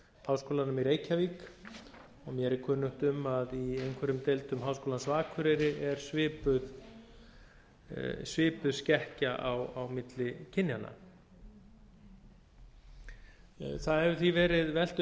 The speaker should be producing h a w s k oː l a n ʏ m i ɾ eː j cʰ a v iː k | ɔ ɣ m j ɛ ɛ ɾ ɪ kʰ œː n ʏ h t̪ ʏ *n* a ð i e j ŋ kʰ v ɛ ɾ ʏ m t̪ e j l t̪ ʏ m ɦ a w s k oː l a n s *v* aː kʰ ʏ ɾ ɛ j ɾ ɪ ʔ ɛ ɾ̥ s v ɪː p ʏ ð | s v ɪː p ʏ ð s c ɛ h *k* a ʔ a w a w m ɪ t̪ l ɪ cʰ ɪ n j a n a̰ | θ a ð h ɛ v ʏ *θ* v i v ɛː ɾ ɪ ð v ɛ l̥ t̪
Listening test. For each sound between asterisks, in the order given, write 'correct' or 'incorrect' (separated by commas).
incorrect, correct, incorrect, correct